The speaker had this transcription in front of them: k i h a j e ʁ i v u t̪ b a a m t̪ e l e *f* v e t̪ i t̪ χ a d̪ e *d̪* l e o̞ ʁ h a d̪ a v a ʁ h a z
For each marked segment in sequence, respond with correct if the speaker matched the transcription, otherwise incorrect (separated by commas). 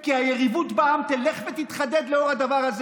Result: incorrect, correct